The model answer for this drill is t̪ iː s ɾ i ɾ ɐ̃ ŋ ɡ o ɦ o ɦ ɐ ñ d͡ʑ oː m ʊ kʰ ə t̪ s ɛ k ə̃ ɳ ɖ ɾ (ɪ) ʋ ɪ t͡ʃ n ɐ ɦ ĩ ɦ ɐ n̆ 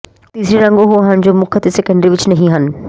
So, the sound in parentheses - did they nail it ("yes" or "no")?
no